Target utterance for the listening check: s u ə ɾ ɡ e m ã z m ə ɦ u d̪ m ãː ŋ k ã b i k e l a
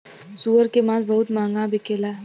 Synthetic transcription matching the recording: s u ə ɾ k e m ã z b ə ɦ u t̪ m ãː ŋ ɡ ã b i k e l a